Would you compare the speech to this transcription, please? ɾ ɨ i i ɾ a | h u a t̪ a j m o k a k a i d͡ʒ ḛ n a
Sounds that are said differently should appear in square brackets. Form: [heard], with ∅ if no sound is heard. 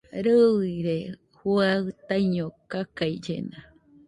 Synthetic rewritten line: ɾ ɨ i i ɾ [e] | h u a t̪ a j [ɲ] o k a k a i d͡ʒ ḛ n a